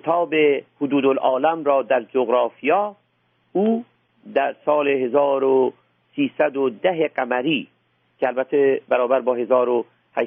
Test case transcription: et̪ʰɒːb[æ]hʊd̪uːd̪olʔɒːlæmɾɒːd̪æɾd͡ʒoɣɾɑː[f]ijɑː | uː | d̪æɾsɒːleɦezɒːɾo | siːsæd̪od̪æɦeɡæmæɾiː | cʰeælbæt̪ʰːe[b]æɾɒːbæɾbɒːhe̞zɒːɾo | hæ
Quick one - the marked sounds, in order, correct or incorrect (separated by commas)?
incorrect, correct, correct